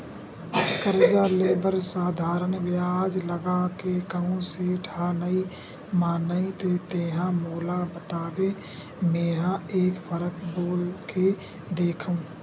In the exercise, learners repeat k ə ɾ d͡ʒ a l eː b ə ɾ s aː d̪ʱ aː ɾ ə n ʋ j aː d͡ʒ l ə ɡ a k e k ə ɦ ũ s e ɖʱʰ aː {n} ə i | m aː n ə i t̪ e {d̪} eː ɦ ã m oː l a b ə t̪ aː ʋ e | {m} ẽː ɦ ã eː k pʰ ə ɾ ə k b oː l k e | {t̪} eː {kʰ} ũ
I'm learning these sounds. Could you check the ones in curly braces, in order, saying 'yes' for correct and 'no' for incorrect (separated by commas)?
yes, no, yes, no, yes